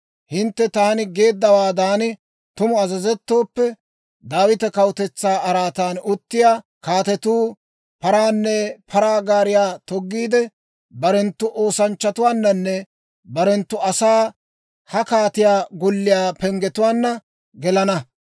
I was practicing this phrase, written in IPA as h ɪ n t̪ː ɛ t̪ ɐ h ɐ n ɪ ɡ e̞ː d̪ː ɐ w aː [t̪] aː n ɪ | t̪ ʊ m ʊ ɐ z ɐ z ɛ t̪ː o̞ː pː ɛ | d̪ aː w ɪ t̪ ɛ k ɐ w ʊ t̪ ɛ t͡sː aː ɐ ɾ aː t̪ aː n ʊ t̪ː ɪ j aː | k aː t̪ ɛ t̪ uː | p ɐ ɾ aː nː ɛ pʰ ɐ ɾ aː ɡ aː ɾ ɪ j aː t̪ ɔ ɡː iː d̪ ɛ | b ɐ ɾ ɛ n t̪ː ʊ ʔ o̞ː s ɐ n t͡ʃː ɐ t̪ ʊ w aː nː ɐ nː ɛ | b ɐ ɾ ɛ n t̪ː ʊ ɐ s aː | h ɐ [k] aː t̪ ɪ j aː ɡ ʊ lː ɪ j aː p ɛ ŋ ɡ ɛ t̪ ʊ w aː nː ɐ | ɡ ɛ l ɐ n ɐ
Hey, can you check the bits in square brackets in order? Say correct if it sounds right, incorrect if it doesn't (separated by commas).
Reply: incorrect, correct